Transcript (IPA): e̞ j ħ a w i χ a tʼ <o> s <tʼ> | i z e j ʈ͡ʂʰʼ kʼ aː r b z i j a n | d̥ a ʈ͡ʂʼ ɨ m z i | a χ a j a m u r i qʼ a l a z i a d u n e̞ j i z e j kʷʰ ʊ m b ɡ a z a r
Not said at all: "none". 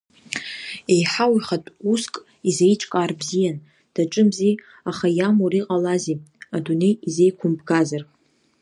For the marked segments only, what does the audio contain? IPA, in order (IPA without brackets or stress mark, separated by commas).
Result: u, kʼ